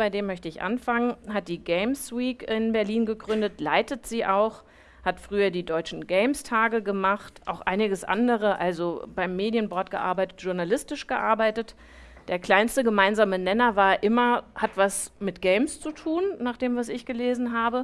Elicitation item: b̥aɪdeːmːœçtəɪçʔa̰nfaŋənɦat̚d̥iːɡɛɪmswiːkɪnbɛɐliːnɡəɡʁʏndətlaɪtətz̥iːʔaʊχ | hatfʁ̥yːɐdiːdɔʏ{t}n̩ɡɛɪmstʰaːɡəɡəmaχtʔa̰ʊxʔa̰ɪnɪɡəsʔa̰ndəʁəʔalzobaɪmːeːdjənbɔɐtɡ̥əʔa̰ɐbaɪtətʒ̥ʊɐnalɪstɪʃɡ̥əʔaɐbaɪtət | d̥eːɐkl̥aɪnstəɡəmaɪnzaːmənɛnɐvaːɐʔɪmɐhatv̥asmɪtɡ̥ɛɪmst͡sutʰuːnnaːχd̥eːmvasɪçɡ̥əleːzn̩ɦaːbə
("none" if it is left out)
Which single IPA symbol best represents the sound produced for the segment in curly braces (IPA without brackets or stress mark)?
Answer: t͡ʃ